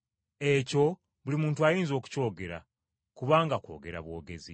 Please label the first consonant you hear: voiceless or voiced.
voiceless